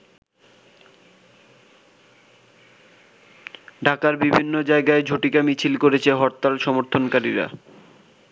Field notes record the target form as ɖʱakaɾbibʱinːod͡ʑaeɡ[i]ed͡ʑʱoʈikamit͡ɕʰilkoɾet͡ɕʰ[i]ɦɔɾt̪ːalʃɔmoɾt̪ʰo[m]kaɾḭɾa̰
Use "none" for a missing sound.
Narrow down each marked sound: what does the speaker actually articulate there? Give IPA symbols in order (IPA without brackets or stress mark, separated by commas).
a, e, n